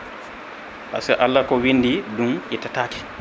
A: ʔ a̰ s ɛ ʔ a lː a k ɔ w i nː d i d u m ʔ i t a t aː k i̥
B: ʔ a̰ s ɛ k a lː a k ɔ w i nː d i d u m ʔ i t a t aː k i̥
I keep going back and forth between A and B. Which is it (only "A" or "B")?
A